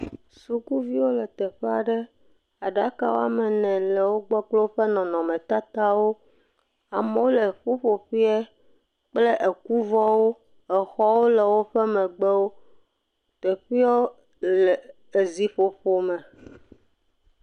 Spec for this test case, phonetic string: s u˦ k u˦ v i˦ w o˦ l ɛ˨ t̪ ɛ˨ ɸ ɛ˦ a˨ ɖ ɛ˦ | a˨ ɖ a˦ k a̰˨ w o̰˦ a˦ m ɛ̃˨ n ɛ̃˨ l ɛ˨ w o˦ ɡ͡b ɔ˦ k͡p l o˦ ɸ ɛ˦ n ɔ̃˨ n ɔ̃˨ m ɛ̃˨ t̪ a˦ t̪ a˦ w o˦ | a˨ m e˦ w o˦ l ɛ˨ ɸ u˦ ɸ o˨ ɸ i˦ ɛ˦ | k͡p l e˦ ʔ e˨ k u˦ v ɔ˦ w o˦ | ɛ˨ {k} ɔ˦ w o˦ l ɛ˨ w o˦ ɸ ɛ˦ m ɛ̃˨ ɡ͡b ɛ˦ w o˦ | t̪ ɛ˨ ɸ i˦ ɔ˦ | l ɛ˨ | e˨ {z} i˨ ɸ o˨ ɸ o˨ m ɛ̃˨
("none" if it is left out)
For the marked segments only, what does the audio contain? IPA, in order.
x, z

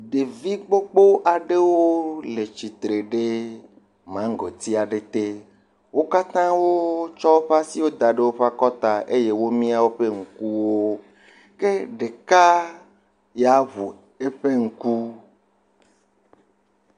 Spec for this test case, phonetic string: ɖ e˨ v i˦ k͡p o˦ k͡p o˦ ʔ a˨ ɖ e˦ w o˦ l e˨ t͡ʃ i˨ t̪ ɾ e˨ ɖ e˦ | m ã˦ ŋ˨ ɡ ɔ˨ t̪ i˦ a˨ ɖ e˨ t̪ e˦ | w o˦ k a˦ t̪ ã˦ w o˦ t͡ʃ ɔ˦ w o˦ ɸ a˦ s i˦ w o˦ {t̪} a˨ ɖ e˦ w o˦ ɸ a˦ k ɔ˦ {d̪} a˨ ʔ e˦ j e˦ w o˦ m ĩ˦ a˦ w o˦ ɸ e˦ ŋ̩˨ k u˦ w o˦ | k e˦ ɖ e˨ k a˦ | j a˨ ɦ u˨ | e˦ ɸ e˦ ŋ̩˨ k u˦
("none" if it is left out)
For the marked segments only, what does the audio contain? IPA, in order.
d̪, t̪

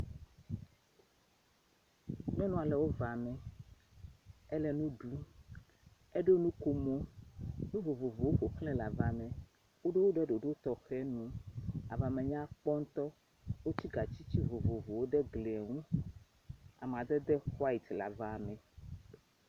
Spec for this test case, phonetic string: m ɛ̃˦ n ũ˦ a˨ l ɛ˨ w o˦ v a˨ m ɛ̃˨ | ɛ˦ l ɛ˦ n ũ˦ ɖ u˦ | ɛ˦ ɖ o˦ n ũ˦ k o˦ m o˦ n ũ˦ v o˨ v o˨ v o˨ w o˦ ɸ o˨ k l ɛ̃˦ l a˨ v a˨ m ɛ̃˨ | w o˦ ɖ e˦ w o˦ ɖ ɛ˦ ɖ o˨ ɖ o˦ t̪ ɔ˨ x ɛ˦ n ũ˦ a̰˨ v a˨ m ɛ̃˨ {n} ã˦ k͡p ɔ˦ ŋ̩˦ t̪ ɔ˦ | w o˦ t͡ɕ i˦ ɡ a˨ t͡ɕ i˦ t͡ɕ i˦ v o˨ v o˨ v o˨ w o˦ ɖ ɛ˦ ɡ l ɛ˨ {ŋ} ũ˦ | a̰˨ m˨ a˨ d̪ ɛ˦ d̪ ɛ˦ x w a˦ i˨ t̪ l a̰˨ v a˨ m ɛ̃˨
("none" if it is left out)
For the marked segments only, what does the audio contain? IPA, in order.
ɲ, ŋ

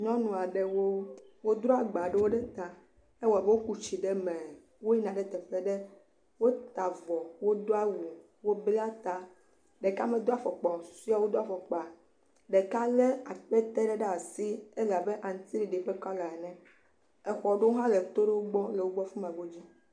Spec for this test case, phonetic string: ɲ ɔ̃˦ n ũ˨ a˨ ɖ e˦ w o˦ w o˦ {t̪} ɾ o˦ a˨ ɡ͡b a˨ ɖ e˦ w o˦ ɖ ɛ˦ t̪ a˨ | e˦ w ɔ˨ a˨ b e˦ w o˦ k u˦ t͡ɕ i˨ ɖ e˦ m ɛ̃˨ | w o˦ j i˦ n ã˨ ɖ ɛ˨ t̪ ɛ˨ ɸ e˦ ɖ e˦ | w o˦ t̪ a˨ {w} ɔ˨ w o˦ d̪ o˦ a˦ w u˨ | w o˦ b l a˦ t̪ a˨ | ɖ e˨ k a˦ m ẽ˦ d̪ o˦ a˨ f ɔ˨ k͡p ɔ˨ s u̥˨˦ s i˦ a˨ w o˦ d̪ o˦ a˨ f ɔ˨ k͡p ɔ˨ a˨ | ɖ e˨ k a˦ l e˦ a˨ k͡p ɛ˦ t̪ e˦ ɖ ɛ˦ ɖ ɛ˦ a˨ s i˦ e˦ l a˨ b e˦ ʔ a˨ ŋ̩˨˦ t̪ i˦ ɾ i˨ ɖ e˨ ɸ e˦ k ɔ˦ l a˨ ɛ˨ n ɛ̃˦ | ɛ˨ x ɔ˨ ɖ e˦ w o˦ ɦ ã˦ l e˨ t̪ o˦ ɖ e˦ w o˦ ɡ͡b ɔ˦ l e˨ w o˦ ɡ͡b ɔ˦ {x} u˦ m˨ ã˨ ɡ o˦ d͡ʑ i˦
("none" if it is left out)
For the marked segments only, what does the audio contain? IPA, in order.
d̪, v, f

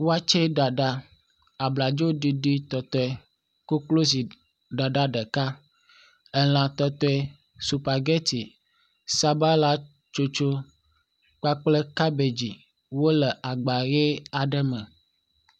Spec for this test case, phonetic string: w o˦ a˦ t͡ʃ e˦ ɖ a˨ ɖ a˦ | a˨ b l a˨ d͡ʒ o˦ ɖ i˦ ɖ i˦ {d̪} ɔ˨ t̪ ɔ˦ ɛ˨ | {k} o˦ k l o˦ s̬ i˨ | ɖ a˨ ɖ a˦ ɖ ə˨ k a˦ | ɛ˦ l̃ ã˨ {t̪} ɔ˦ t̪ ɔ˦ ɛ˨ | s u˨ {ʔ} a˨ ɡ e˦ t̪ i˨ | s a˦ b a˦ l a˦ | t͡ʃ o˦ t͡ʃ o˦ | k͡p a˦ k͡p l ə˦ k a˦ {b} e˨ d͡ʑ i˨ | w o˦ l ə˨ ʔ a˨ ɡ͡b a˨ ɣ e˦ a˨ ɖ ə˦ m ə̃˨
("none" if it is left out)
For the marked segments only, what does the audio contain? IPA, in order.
t̪, k, t̪, p, b

